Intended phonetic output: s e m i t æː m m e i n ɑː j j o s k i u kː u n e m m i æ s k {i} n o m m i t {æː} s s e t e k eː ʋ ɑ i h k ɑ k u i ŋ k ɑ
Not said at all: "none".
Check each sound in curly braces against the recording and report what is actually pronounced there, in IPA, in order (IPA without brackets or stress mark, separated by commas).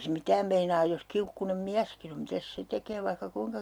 i, æ